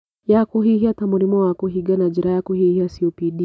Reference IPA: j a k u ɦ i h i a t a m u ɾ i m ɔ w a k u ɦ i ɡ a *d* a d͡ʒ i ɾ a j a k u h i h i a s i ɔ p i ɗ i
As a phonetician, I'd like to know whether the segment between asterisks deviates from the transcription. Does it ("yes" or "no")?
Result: yes